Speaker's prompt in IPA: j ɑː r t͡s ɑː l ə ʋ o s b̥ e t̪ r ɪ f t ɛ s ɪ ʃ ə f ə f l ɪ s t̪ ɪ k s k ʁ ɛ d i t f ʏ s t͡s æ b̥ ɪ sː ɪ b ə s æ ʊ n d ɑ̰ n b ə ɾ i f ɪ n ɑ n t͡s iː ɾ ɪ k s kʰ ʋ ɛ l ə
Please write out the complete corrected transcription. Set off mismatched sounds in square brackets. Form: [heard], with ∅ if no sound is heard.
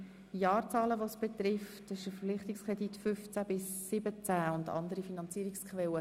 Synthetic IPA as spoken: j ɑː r t͡s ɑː l ə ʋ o s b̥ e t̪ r ɪ f t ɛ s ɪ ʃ ə f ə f l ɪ [χ] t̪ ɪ k s k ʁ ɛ d i t f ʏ [f] t͡s æ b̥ ɪ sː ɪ b ə [t͡s] æ ʊ n d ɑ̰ n [d] ə ɾ i f [i] n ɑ n t͡s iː ɾ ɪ k s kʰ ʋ ɛ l ə

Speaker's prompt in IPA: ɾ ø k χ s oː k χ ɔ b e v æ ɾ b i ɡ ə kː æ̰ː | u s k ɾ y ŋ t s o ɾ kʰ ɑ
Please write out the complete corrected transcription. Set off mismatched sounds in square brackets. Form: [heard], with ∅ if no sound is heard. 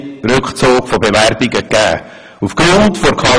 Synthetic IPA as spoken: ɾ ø k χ [t͡s] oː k [f] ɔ b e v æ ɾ b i ɡ ə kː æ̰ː | u [f] k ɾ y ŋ t [f] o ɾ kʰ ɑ

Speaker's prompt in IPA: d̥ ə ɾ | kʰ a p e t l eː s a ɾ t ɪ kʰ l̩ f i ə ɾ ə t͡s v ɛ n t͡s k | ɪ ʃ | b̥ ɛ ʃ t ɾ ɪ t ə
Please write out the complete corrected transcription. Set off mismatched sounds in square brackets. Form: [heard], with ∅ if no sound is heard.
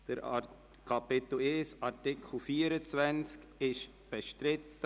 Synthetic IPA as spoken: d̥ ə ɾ | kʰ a p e t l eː s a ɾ t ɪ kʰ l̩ f [iː] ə ɾ ə t͡s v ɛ n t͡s k | ɪ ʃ | b̥ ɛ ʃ t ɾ ɪ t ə

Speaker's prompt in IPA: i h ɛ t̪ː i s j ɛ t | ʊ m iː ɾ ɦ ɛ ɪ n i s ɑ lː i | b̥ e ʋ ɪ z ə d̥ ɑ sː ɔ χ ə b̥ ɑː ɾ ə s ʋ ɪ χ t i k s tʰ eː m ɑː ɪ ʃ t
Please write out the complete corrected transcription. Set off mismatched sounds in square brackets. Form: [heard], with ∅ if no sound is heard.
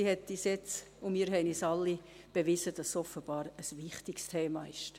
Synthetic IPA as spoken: i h ɛ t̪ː i s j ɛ [t͡s] | ʊ m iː ɾ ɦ ɛ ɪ n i s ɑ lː i | b̥ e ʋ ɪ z ə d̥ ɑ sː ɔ [f] ə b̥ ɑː ɾ ə s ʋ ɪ χ t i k s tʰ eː m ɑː ɪ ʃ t

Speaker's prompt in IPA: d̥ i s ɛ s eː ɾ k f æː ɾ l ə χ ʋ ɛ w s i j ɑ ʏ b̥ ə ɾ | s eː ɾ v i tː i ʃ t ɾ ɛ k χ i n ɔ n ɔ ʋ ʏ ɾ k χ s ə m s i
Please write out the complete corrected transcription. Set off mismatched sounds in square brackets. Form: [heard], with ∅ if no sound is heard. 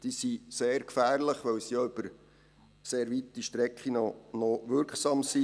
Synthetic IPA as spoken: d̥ i s [i] s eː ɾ k f æː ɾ l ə χ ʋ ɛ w s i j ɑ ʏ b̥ ə ɾ | s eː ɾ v i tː i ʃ t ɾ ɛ k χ i n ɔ n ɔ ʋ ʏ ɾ k χ s [ɑ] m s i

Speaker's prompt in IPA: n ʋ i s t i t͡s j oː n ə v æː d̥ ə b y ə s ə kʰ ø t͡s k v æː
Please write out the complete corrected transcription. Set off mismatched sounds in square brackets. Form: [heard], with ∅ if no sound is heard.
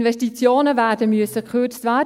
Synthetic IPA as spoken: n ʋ [ɛ] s t i t͡s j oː n ə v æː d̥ ə [m] y ə s ə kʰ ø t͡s [t] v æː

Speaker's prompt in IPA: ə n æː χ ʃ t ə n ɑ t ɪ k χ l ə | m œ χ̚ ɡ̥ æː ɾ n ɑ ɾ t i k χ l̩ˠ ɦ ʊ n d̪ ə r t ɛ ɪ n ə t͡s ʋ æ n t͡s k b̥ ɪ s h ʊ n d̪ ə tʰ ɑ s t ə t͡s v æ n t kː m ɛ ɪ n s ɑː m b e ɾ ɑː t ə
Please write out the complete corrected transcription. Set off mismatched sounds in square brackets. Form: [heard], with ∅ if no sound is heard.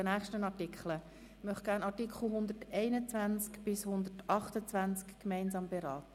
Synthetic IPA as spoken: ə n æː χ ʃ t ə n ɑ t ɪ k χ l ə | m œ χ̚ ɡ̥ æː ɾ n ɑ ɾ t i k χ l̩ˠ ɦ ʊ n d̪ ə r t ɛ ɪ n ə t͡s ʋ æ n t͡s k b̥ ɪ s h ʊ n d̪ ə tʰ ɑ [χ] t ə t͡s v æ n [t͡s] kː m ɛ ɪ n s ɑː m b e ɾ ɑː t ə

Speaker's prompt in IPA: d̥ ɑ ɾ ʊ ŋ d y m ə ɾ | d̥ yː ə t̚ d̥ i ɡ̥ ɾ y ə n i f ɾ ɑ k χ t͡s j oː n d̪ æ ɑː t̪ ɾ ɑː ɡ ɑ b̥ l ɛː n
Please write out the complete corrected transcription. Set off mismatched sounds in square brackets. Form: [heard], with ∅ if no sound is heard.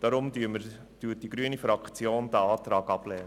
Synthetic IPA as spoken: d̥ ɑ ɾ ʊ [m] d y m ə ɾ | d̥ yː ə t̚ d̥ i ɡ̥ ɾ y ə n i f ɾ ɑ k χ t͡s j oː n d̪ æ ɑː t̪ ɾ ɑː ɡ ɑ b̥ l ɛː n

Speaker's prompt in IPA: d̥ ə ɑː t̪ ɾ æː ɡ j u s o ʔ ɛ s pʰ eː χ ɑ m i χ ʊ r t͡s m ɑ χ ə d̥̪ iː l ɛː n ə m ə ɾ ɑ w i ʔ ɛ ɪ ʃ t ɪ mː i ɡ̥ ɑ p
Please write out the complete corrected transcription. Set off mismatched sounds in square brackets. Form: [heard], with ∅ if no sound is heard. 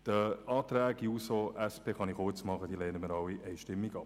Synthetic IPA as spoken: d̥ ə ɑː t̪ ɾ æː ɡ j u s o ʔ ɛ s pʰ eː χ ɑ [n] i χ ʊ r t͡s m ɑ χ ə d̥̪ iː l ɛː n ə m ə ɾ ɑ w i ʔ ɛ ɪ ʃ t ɪ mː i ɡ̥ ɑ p

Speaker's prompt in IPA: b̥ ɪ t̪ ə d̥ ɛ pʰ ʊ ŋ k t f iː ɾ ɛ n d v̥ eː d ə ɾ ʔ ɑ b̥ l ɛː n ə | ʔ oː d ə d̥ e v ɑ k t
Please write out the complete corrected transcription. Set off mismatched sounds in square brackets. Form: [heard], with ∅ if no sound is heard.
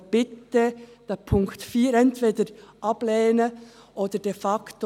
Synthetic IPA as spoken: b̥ ɪ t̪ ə d̥ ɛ pʰ ʊ ŋ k t f iː ɾ ɛ n [t] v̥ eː d ə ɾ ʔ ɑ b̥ l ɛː n ə | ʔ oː d ə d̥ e [f] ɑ k t

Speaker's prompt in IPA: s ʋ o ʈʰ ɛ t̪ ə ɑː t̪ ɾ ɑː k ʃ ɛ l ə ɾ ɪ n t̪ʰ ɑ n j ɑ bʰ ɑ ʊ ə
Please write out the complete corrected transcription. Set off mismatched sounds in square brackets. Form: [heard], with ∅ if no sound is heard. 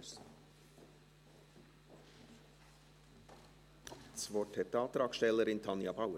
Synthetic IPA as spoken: s ʋ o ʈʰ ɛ t̪ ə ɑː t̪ ɾ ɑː k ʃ ɛ l ə ɾ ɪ n t̪ʰ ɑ n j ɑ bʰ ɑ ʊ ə

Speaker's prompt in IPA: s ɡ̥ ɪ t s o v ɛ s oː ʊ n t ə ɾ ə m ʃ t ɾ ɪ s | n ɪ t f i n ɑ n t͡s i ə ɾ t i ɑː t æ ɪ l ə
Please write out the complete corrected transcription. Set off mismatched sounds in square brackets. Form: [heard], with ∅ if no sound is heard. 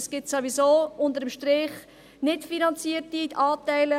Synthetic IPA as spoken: s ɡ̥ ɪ t s o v [i] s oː ʊ n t ə ɾ ə m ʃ t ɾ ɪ [χ] | n ɪ t f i n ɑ n t͡s i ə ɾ t i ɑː t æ ɪ l ə

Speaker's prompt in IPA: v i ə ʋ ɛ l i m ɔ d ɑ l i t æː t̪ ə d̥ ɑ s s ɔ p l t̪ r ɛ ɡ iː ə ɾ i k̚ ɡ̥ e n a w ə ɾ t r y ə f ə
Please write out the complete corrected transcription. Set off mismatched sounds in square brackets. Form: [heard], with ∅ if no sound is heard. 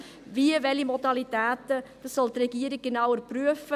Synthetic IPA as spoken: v i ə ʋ ɛ l i m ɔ d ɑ l i t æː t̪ ə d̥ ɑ s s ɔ [∅] l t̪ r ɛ ɡ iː ə ɾ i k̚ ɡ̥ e n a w ə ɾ [p] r y ə f ə

